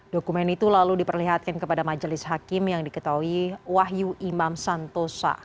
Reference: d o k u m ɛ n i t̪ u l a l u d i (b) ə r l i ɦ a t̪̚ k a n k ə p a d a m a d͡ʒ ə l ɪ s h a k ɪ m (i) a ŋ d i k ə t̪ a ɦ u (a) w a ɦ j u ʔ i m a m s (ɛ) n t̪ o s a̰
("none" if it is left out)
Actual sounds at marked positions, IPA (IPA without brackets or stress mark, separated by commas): p, j, i, a